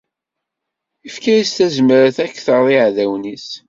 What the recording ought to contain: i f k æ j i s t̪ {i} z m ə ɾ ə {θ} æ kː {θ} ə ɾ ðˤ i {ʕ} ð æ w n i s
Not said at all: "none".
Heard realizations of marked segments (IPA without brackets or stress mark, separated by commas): æ, θ, θ, ʕ